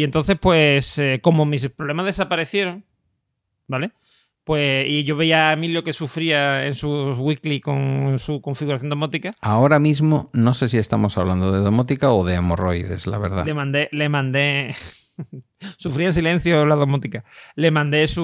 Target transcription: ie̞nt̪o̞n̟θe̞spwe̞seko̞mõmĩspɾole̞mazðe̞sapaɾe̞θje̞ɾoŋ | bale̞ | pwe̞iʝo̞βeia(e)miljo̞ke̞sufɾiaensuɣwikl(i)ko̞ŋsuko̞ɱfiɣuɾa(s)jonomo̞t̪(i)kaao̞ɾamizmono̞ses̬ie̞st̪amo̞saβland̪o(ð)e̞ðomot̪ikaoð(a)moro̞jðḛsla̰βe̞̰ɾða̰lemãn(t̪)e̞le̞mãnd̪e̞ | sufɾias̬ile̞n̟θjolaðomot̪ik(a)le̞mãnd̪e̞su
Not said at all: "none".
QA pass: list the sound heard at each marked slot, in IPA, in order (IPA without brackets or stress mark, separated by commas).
e, i, θ, i, ð, e, d̪, a